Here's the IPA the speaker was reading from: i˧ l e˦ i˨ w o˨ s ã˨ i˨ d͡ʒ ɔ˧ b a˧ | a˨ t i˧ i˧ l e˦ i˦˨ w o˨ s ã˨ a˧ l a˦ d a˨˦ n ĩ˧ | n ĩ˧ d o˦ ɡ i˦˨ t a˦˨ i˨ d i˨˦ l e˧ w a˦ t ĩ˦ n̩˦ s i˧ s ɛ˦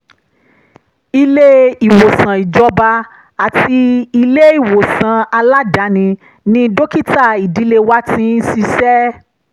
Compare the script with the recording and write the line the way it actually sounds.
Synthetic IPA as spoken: i˧ l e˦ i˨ w o˨ s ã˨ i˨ d͡ʒ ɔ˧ b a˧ | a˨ t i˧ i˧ l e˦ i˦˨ w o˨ s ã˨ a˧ l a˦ d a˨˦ n ĩ˧ | n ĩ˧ d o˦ k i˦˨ t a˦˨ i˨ d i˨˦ l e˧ w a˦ t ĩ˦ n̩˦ s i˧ s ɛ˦

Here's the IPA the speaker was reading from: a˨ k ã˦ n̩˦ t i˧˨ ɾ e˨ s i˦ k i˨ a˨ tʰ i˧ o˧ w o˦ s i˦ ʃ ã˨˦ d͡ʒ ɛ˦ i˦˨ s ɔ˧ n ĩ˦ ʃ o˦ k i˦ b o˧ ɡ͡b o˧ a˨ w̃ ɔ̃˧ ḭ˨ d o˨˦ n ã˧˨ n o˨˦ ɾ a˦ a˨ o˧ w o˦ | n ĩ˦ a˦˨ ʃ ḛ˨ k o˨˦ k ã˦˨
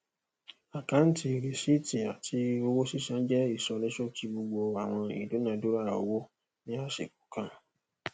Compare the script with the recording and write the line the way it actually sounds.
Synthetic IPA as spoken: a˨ k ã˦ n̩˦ t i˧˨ ɾ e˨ s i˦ t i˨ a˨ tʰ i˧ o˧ w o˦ s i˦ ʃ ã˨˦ d͡ʒ ɛ˦ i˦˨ s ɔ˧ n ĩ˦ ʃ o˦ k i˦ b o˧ ɡ͡b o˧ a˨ w̃ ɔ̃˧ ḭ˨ d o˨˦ n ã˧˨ d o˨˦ ɾ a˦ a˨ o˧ w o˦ | n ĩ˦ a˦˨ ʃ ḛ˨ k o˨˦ k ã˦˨

